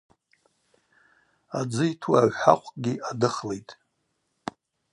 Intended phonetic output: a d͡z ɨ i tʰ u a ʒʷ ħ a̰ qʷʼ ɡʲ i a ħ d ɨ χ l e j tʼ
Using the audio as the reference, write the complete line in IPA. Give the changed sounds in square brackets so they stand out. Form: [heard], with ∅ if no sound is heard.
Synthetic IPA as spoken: a d͡z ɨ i tʰ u a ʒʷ ħ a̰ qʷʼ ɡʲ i a [∅] d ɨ χ l e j tʼ